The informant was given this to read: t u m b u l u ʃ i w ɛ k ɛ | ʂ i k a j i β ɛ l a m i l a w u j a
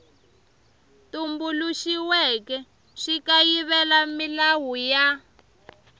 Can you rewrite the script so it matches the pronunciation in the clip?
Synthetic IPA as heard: t u m b u l u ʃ i w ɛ k ɛ | ʂ i k a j i β ɛ l a m i l a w u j a